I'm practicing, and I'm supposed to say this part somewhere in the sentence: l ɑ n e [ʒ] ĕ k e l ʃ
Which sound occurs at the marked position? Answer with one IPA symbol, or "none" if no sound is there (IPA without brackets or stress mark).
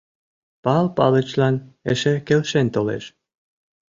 ʃ